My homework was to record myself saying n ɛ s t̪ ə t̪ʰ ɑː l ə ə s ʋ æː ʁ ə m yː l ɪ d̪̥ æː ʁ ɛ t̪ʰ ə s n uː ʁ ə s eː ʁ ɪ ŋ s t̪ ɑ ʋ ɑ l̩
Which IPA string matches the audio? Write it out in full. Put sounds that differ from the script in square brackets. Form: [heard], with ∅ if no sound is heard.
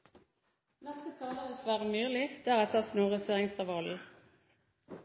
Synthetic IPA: n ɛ s t̪ ə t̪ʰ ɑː l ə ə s ʋ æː ʁ ə m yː l ɪ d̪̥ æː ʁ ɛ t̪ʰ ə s n uː ʁ ə s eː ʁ ɪ ŋ s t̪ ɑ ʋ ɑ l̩